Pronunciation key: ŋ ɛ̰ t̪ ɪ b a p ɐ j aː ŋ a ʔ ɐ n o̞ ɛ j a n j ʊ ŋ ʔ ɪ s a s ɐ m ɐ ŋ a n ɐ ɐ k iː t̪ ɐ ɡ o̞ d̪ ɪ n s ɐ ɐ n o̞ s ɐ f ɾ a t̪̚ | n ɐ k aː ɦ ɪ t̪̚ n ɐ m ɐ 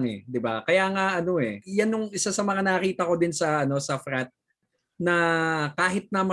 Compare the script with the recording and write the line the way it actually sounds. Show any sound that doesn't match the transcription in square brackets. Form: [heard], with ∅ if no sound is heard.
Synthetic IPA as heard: ŋ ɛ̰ [d̪] ɪ b a [k] ɐ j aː ŋ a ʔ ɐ n o̞ ɛ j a n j ʊ ŋ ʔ ɪ s a s ɐ m ɐ ŋ a n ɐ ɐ k iː t̪ ɐ [k] o̞ d̪ ɪ n s ɐ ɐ n o̞ s ɐ f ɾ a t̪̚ | n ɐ k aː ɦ ɪ t̪̚ n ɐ m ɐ